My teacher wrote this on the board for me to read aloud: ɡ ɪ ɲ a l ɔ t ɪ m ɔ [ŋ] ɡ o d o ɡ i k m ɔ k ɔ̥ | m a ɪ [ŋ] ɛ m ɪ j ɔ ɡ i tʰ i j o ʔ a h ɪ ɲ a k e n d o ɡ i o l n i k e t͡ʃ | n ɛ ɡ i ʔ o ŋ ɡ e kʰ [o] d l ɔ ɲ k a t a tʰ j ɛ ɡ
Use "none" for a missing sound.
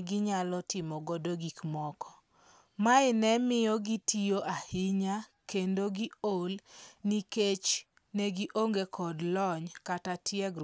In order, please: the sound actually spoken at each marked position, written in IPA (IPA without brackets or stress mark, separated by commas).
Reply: none, n, ɔ